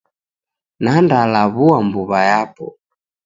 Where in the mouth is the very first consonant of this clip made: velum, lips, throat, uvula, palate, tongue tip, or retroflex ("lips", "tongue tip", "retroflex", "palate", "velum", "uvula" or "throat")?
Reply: tongue tip